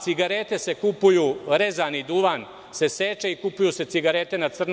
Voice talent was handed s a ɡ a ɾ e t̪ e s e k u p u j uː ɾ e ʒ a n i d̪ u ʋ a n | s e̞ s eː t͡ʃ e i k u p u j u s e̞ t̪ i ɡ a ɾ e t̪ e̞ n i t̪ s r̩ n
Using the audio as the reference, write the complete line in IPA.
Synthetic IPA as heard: s i ɡ a ɾ e t̪ e s e k u p u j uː ɾ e z a n i d̪ u ʋ a n | s e̞ s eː t͡ʃ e i k u p u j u s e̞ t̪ i ɡ a ɾ e t̪ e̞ n a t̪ s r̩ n